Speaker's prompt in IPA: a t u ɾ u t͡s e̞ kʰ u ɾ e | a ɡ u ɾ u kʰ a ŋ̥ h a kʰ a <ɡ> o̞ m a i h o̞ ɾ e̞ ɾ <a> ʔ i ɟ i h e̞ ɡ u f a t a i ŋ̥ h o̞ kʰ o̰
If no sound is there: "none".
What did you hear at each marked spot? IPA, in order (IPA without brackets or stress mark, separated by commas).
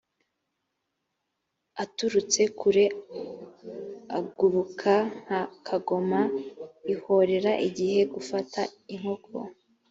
ɡ, a